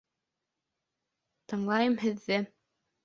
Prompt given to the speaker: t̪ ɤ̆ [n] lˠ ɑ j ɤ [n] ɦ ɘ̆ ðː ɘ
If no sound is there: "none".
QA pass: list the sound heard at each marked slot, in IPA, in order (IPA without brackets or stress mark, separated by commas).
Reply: ɴ, m